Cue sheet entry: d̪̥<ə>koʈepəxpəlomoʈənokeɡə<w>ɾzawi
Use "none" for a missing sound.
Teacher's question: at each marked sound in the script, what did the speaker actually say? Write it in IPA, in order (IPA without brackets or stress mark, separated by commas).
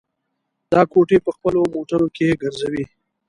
ɑ, none